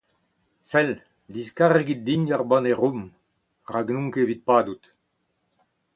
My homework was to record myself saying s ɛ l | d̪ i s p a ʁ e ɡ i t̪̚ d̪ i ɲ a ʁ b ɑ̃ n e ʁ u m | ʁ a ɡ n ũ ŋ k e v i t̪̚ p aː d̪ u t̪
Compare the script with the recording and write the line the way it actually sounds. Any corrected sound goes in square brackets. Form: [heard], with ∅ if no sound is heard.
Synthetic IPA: s ɛ l | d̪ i s [k] a ʁ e ɡ i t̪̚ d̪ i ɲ a ʁ b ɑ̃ n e ʁ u m | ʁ a ɡ n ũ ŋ k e v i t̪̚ p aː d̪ u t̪